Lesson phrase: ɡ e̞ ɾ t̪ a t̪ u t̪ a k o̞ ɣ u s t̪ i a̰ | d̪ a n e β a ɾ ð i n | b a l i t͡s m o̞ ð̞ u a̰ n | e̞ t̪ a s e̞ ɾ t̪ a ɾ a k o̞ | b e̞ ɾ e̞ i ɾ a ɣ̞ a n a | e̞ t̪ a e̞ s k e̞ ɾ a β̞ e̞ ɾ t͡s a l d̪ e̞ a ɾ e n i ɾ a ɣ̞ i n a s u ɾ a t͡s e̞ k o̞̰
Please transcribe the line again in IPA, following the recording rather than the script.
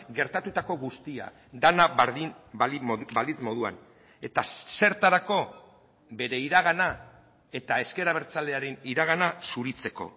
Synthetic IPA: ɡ e̞ ɾ t̪ a t̪ u t̪ a k o̞ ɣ u s t̪ i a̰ | d̪ a n a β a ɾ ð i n | b a l i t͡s m o̞ ð̞ u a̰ n | e̞ t̪ a s e̞ ɾ t̪ a ɾ a k o̞ | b e̞ ɾ e̞ i ɾ a ɣ̞ a n a | e̞ t̪ a e̞ s k e̞ ɾ a β̞ e̞ ɾ t͡s a l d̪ e̞ a ɾ e n i ɾ a ɣ̞ a n a s u ɾ i t͡s e̞ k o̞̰